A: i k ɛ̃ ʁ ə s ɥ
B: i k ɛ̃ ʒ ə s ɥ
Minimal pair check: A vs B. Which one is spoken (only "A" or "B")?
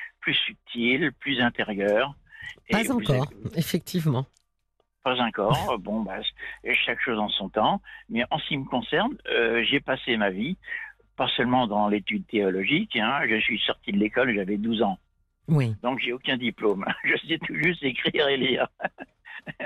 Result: B